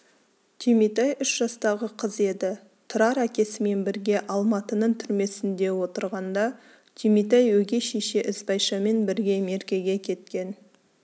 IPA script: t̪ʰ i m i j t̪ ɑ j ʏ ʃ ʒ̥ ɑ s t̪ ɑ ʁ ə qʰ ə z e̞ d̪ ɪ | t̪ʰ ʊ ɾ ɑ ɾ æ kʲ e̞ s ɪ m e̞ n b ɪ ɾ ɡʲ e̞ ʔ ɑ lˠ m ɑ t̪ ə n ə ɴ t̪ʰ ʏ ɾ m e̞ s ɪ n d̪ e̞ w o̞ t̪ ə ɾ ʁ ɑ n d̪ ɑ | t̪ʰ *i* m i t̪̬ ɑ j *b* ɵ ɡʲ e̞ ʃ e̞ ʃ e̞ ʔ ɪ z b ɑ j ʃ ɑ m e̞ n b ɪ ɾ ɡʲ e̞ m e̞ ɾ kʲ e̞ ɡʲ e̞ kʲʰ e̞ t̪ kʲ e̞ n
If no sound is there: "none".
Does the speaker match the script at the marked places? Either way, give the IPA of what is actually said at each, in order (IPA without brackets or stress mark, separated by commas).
i, w